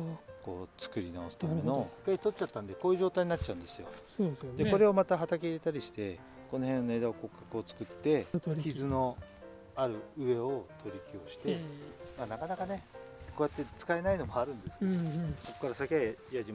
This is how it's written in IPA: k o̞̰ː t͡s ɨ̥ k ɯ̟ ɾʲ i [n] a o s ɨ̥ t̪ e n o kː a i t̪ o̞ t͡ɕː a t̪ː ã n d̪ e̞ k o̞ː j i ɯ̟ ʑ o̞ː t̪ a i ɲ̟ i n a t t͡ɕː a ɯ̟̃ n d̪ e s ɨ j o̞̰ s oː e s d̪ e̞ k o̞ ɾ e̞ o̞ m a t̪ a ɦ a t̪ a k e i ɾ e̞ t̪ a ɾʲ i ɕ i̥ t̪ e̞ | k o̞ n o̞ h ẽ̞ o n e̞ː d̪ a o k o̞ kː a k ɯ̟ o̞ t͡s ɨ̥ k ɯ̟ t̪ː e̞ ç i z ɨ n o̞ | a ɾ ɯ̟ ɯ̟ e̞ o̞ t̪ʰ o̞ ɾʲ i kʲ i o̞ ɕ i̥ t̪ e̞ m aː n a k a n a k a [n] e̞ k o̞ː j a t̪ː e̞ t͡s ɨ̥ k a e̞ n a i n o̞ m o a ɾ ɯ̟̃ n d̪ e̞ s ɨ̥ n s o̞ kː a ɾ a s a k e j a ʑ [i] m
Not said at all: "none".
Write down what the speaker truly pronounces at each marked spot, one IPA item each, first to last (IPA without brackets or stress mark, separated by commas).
n, n, i